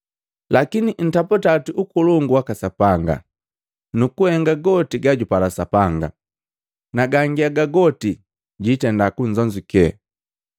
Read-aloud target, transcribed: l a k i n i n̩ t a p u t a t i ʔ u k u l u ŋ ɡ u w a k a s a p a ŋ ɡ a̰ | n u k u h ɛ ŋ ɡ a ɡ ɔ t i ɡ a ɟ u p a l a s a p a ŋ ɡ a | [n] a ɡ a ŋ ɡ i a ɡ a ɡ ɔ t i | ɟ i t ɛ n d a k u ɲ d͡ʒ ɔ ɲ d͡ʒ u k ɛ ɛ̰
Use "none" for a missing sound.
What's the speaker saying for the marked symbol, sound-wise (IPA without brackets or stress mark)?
n